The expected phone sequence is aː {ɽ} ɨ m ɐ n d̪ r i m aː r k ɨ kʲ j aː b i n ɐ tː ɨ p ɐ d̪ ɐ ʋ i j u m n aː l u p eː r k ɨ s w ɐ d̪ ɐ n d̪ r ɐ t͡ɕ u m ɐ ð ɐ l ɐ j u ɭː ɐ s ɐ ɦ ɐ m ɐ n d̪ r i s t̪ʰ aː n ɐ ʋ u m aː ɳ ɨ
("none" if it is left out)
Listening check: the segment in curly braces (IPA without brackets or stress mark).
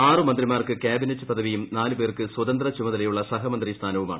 r